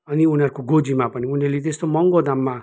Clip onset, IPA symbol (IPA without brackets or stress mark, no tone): ʌ